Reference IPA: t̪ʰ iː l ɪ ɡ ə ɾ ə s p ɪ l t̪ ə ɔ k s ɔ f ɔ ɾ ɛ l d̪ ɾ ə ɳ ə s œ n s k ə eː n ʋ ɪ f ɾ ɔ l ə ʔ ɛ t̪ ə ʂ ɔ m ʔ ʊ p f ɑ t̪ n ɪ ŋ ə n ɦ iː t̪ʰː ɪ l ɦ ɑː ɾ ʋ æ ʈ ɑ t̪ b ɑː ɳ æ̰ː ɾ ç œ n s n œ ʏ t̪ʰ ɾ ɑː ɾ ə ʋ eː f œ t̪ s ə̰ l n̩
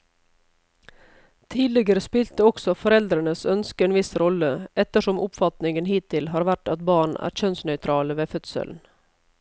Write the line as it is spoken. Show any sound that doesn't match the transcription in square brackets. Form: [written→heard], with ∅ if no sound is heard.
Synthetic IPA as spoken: t̪ʰ iː l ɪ ɡ ə ɾ ə s p ɪ l t̪ ə ɔ k s ɔ f ɔ ɾ ɛ l d̪ ɾ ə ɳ ə s œ n s k ə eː n ʋ ɪ [f→s] ɾ ɔ l ə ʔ ɛ t̪ ə ʂ ɔ m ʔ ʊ p f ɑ t̪ n ɪ ŋ ə n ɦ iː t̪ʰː ɪ l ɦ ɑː ɾ ʋ æ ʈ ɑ t̪ b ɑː ɳ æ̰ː ɾ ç œ n s n œ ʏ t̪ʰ ɾ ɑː [ɾ→l] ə ʋ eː f œ t̪ s ə̰ l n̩